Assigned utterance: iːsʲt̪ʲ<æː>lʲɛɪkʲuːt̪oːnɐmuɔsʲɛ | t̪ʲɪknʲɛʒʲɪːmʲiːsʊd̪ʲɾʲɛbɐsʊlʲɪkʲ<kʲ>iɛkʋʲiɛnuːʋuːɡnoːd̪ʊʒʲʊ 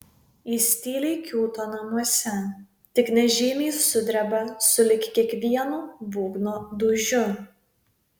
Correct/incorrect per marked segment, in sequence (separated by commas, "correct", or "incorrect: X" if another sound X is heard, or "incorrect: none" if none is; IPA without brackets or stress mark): incorrect: iː, correct